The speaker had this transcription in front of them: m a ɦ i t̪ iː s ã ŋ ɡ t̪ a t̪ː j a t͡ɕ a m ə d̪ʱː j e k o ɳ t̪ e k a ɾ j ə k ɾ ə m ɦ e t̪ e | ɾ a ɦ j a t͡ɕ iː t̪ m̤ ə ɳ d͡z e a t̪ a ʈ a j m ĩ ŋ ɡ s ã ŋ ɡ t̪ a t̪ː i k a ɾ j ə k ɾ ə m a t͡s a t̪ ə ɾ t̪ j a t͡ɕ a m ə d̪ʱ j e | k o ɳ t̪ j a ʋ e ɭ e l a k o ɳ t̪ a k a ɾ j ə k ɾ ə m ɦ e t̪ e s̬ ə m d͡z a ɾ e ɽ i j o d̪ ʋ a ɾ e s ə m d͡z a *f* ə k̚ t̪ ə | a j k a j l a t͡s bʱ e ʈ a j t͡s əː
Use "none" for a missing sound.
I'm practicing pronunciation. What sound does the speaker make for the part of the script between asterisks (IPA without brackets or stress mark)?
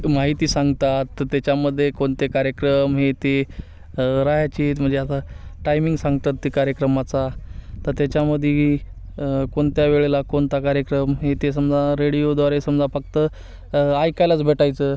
f